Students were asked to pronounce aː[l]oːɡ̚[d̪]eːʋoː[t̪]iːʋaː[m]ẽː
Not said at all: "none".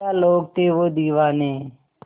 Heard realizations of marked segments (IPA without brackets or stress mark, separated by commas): l, t̪, d̪, n